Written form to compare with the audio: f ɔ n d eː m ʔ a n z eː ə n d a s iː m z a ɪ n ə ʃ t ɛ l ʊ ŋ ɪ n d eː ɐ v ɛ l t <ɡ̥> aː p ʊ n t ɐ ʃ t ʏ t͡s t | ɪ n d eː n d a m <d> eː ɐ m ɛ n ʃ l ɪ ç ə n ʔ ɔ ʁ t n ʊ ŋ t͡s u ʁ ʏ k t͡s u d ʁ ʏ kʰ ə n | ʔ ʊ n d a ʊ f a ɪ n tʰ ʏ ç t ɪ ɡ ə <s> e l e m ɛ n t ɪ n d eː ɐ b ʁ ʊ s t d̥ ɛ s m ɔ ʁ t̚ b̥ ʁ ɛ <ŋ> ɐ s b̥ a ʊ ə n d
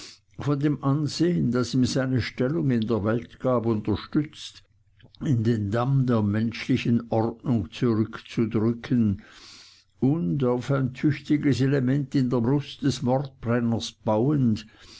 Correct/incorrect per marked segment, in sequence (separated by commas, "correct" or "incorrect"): correct, correct, correct, incorrect